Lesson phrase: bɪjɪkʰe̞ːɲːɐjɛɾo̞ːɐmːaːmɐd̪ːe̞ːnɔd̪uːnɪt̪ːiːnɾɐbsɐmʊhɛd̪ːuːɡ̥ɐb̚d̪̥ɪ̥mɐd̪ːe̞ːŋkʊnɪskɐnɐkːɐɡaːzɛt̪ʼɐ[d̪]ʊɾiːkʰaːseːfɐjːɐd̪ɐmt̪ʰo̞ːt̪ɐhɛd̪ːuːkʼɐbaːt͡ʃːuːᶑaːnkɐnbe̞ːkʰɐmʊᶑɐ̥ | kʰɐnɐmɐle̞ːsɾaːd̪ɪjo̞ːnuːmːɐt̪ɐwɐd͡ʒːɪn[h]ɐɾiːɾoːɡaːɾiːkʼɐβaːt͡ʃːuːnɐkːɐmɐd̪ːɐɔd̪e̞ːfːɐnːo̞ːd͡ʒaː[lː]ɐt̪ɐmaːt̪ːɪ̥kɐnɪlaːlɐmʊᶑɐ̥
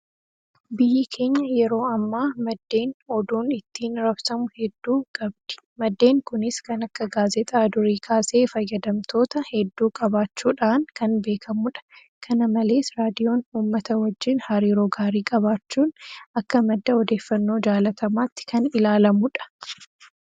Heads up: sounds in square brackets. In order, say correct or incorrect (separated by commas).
correct, correct, incorrect